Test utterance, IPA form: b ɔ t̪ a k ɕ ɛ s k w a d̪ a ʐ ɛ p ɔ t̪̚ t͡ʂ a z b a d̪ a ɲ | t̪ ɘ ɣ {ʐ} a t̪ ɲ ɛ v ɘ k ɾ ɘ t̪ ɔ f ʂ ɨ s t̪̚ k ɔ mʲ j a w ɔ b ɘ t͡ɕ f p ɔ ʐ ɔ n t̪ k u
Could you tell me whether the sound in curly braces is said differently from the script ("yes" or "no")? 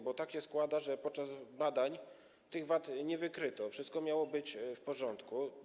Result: yes